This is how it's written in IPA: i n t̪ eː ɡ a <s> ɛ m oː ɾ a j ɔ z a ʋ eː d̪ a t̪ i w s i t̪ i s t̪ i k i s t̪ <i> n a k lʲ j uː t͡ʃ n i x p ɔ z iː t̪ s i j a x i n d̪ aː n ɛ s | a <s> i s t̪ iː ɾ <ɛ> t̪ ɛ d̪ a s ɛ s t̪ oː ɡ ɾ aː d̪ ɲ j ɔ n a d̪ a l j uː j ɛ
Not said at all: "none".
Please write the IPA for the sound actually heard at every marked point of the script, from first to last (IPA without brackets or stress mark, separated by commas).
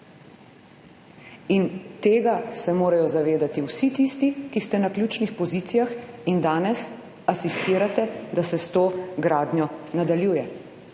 s, ɛ, s, a